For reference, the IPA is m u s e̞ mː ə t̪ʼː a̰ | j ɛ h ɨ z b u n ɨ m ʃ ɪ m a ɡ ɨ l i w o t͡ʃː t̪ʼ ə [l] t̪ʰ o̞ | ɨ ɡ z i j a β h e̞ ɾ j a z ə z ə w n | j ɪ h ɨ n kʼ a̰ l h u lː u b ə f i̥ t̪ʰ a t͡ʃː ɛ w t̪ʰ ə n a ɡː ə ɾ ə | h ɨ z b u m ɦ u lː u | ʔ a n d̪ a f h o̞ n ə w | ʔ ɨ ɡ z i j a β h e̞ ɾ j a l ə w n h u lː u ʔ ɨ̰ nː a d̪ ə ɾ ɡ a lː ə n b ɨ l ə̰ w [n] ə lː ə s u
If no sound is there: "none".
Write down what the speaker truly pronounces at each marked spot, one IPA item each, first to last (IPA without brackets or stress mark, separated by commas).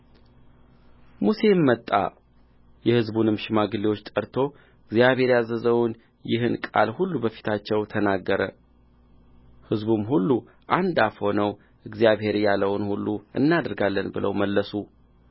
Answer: ɾ, m